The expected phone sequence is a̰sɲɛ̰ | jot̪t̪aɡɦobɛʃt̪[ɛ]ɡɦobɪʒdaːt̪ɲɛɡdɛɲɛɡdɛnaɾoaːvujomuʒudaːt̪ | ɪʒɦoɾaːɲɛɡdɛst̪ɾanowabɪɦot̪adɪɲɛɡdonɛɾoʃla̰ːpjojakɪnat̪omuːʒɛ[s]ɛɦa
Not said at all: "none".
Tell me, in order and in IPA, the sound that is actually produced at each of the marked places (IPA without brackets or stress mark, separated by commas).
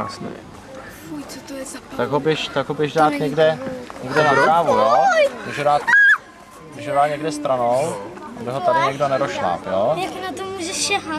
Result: a, ʃ